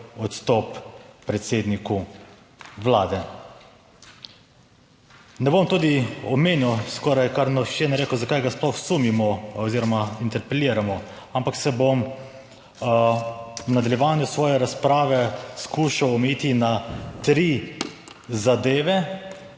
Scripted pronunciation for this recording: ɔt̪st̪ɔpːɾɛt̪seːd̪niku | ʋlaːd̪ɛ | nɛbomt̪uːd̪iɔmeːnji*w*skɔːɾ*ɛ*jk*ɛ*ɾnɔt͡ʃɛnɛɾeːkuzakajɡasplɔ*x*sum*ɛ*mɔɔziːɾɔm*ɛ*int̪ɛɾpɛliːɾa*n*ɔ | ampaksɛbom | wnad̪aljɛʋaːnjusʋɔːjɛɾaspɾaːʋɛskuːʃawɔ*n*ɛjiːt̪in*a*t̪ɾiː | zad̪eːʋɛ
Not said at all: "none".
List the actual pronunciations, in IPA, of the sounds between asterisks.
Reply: w, a, a, x, i, a, m, m, a

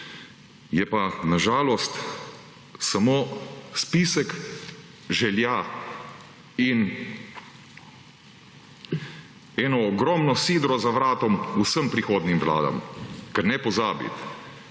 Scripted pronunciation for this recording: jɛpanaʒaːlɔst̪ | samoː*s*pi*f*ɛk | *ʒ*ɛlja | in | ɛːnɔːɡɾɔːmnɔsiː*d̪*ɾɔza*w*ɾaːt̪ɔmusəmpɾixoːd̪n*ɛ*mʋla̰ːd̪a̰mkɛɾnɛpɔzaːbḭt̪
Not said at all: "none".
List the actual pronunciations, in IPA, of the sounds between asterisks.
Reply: s, s, ʒ, d̪, ʋ, i

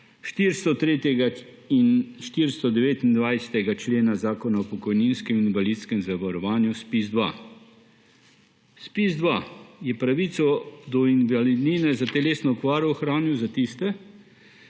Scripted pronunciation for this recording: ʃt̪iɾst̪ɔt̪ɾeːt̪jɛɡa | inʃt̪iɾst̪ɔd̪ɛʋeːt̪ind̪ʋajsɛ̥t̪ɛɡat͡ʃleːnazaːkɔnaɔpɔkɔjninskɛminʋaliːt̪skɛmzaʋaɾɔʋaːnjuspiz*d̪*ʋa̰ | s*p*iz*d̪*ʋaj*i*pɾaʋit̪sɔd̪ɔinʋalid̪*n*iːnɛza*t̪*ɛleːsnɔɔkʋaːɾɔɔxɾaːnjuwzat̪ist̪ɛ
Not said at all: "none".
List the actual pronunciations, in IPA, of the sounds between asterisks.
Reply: d̪, p, d̪, ɛ, n, t̪

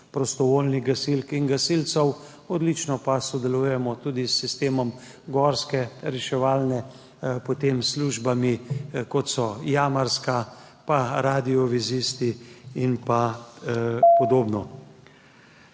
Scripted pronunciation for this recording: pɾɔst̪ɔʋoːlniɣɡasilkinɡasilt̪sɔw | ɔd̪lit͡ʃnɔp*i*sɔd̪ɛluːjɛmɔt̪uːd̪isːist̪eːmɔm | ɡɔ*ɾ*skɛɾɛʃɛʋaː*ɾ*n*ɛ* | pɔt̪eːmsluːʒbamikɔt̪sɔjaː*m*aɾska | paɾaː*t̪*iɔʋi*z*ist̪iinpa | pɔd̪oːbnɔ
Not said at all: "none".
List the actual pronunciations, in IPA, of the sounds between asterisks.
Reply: a, ɾ, l, ɛ, m, d̪, z

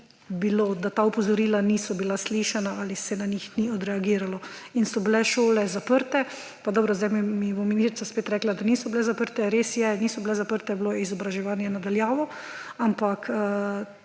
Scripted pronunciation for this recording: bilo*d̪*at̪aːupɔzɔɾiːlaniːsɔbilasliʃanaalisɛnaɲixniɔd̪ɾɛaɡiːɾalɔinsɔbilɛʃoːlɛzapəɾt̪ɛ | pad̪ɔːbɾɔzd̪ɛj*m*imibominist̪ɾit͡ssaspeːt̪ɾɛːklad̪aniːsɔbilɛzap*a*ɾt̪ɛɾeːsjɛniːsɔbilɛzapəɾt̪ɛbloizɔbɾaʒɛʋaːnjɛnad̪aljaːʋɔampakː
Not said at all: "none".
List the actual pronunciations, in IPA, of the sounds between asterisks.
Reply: d̪, m, ə

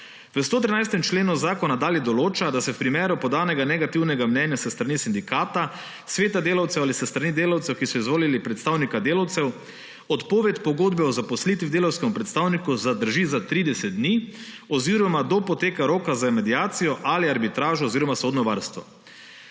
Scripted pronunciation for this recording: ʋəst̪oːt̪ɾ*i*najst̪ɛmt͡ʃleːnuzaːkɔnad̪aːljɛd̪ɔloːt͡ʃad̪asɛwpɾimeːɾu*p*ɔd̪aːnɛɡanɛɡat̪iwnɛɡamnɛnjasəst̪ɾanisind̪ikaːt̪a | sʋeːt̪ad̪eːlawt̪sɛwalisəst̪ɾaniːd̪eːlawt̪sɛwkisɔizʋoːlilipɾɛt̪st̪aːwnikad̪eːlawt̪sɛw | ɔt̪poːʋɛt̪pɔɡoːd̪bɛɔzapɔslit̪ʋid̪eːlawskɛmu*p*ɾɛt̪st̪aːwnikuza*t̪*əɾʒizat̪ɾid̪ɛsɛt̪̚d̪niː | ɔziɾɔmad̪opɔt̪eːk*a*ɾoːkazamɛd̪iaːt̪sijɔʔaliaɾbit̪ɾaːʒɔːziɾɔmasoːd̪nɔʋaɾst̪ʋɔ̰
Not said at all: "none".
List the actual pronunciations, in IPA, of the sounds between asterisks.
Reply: i, p, p, d̪, a

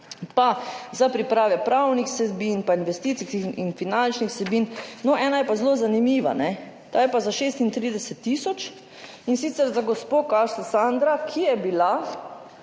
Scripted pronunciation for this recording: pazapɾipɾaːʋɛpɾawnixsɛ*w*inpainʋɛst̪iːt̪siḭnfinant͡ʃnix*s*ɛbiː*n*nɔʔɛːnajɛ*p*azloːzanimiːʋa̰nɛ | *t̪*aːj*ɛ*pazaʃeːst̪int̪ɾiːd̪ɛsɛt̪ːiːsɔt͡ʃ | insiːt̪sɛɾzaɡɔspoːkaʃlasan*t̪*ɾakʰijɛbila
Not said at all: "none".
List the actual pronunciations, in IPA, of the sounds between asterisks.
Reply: b, s, n, p, t̪, ɛ, d̪

